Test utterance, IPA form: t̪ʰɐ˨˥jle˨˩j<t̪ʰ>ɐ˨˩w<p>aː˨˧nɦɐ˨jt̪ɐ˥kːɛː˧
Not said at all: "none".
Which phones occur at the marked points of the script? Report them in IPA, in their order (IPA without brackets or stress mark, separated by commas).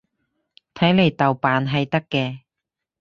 t̪, p